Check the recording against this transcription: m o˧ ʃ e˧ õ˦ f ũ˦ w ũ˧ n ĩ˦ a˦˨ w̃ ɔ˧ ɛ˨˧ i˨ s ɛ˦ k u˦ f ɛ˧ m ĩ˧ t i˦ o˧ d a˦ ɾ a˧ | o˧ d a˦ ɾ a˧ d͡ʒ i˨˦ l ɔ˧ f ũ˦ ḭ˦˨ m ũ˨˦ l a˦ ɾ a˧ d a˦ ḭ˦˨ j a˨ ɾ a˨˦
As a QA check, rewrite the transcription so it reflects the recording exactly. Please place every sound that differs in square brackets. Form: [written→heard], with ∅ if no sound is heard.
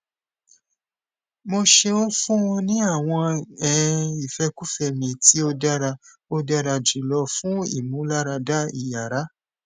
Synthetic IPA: m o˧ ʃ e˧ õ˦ f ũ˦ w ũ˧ n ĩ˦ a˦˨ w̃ [ɔ˧→ɔ̃˧] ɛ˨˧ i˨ [s→f] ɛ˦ k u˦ f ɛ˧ m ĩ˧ t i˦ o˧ d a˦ ɾ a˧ | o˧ d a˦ ɾ a˧ d͡ʒ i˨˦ l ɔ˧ f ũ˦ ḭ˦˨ m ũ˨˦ l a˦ ɾ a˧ d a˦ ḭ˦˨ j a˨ ɾ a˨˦